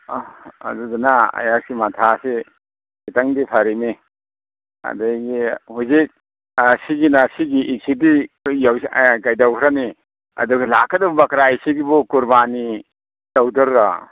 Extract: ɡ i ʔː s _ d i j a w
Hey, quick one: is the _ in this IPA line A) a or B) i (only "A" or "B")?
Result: B